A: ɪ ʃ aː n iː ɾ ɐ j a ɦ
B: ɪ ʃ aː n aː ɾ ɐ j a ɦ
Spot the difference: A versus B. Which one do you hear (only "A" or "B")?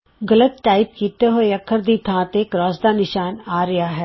B